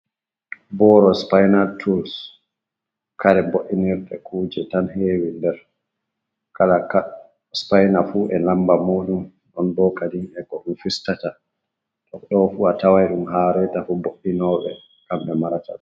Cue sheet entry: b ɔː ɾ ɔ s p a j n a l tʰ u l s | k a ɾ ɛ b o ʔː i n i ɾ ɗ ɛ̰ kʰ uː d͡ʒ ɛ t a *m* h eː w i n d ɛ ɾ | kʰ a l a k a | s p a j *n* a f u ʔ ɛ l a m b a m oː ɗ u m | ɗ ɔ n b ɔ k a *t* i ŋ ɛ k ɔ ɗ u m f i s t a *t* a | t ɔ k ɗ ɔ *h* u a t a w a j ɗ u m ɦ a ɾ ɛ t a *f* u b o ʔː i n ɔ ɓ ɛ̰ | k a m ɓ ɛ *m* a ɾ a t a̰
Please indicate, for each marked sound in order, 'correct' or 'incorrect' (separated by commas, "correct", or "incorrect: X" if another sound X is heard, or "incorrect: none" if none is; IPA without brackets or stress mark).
incorrect: n, correct, incorrect: d, correct, incorrect: f, correct, correct